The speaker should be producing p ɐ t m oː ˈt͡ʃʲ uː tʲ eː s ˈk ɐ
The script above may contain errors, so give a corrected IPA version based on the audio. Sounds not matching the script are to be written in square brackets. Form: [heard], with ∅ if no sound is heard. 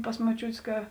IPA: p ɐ [s] m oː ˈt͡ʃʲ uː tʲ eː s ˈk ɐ